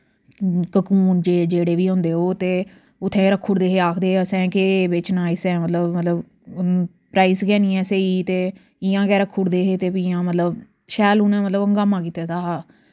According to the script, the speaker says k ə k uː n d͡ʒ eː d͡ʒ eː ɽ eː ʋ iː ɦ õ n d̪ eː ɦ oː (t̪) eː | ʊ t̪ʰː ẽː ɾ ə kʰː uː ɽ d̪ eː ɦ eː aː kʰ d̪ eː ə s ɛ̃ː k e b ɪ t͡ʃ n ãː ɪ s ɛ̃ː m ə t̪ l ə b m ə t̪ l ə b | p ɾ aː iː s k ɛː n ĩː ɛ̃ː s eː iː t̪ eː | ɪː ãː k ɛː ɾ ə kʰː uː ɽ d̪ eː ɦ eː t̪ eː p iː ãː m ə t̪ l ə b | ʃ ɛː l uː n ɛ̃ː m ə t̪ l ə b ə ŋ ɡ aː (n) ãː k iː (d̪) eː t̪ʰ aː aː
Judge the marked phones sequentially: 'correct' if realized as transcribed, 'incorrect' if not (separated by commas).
correct, incorrect, incorrect